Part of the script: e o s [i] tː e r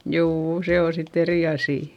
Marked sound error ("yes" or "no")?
no